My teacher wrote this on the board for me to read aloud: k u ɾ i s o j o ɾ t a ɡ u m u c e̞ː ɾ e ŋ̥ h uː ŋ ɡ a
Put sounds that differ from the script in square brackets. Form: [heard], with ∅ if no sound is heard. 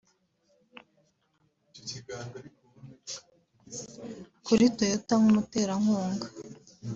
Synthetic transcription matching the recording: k u ɾ i [t] o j o [∅] t a [ŋ] u m u [t] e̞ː ɾ [a] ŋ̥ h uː ŋ ɡ a

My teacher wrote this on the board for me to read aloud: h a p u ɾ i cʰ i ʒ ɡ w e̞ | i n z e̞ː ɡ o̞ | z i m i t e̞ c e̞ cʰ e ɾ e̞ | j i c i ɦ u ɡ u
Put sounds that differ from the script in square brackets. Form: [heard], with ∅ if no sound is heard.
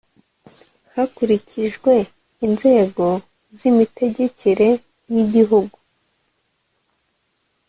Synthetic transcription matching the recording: h a [k] u ɾ i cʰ i ʒ ɡ w e̞ | i n z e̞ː ɡ o̞ | z i m i t e̞ [ɟ] e̞ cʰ e ɾ e̞ | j i [ɟ] i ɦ u ɡ u

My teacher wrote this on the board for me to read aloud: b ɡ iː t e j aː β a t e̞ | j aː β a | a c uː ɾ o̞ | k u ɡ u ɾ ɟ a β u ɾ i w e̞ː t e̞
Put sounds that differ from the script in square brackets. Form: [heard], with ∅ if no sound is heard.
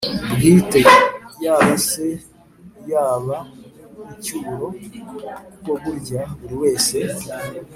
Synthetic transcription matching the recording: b ɡ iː t e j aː β a [s] e̞ | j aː β a | [i] c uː ɾ o̞ | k [o] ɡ u ɾ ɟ a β u ɾ i w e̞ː [s] e̞

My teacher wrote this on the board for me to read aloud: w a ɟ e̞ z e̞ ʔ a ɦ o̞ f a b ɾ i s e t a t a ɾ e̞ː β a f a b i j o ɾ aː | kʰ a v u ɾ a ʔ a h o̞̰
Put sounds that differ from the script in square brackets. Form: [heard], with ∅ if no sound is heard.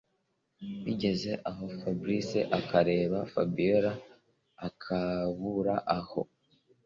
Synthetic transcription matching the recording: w [i] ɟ e̞ z e̞ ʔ a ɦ o̞ f a b ɾ i s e [ʔ] a [k] a ɾ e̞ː β a f a b i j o ɾ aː | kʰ a [β] u ɾ a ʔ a h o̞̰

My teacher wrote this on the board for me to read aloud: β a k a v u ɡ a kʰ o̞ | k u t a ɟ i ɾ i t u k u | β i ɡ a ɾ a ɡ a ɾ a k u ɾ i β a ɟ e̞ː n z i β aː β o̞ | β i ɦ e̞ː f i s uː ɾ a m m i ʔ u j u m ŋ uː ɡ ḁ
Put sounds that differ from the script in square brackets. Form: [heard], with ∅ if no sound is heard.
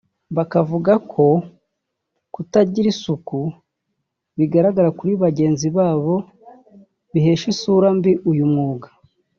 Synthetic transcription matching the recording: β a k a v u ɡ a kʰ o̞ | k u t a ɟ i ɾ i [s] u k u | β i ɡ a ɾ a ɡ a ɾ a k u ɾ i β a ɟ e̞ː n z i β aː β o̞ | β i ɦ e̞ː [ʃ] i s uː ɾ a m [b] i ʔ u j u m ŋ uː ɡ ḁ

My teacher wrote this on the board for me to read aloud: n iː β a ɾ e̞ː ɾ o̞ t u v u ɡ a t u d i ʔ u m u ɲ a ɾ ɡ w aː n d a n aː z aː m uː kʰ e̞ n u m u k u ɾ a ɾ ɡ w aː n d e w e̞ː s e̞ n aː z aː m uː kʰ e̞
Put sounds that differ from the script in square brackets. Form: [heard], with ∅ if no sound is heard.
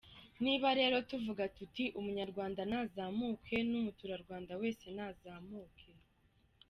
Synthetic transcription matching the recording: n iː β a ɾ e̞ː ɾ o̞ t u v u ɡ a t u [t] i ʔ u m u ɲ a ɾ ɡ w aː n d a n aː z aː m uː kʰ e̞ n u m u [t] u ɾ a ɾ ɡ w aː n d [a] w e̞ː s e̞ n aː z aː m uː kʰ e̞

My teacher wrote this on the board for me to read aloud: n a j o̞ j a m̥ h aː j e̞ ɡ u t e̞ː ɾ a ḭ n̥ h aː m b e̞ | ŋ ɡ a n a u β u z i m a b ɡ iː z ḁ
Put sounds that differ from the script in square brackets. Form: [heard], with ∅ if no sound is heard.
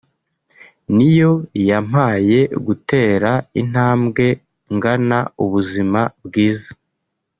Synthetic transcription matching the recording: n [i] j o̞ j a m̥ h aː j e̞ ɡ u t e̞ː ɾ a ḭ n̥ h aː m [ɡ] e̞ | ŋ ɡ a n a u β u z i m a b ɡ iː z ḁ

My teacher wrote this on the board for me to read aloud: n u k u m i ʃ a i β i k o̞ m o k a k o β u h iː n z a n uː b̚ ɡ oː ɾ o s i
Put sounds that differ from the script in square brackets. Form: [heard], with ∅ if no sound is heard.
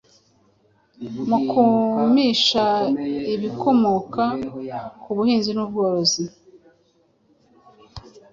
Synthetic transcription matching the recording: [m] u k u m i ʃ a i β i k o̞ m o k a k [u] β u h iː n z [i] n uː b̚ ɡ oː ɾ o [z] i

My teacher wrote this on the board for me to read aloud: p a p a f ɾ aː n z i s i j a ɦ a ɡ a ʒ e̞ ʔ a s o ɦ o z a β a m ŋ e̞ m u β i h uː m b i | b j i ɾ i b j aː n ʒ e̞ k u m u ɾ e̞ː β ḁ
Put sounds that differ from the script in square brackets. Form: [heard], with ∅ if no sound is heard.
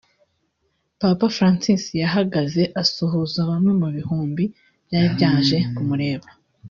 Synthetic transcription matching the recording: p a p a f ɾ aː n [s] i s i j a ɦ a ɡ a [z] e̞ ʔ a s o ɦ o z a β a m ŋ e̞ m u β i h uː m b i | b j [a] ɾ i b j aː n ʒ e̞ k u m u ɾ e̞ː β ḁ

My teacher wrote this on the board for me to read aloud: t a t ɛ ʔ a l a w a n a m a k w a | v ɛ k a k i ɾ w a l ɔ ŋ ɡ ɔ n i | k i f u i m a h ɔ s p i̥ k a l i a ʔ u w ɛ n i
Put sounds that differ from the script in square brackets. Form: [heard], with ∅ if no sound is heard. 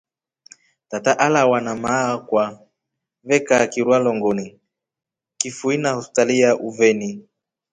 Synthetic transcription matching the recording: t a t [a] ʔ a l a w a n a m a k w a | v ɛ k a k i ɾ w a l ɔ ŋ ɡ ɔ n i | k i f u i [n] a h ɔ s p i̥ [t] a l i a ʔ u [v] ɛ n i

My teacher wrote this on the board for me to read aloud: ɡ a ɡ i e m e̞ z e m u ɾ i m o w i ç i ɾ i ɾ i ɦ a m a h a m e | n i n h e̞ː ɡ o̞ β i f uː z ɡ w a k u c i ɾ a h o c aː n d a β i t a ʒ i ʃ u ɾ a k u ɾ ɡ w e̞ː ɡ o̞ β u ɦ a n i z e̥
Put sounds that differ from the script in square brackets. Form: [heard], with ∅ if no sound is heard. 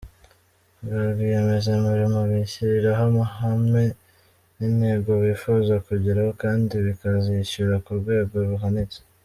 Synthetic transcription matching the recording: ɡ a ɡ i e m e̞ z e m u ɾ i m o [β] i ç i ɾ i ɾ [a] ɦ a m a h a m e | n i n h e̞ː ɡ o̞ β i f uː z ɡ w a k u [ɟ] i ɾ a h o [k] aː n d [i] β i [k] a [z] i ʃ u ɾ a k u ɾ ɡ w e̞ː ɡ o̞ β u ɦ a n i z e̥

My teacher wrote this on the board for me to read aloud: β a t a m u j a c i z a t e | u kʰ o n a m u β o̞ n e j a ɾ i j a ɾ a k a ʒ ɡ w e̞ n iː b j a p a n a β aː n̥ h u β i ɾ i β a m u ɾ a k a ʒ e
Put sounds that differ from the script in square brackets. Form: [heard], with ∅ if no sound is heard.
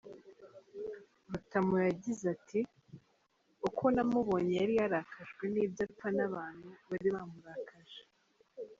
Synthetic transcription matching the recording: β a t a m u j a [ɟ] i z a t [i] | u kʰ o n a m u β o̞ [ɲ] e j a ɾ i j a ɾ a k a ʒ ɡ w e̞ n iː b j a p a n a β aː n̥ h u β [a] ɾ i β a m u ɾ a k a ʒ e

